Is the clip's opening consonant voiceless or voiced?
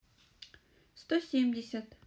voiceless